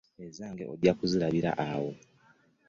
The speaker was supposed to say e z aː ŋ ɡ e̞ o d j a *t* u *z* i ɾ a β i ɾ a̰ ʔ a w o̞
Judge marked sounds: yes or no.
no, yes

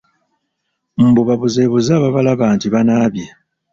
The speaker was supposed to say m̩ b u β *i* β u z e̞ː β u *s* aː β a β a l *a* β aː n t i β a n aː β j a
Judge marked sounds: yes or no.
no, no, yes

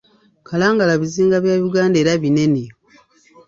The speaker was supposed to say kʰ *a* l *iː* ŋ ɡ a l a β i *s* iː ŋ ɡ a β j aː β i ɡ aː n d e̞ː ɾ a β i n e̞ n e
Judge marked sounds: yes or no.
yes, no, no

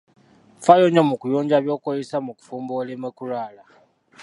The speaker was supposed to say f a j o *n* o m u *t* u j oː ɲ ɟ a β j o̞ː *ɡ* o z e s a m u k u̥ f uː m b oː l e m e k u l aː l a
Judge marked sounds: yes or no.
no, no, no

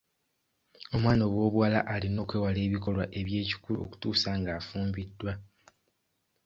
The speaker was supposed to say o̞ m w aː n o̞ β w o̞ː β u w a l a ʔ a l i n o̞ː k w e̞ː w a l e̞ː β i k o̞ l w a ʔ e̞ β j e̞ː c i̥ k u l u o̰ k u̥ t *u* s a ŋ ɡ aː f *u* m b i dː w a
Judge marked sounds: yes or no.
no, no

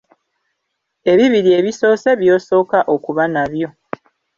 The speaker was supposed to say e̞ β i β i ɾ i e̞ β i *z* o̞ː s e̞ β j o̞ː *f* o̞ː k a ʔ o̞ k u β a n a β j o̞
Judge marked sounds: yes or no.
no, no

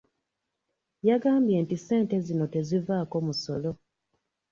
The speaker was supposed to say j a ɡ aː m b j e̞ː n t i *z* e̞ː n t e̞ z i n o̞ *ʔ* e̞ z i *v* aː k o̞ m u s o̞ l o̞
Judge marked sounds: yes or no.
no, no, yes

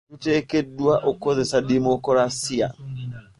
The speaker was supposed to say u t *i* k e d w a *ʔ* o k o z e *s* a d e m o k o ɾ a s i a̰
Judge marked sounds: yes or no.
no, yes, yes

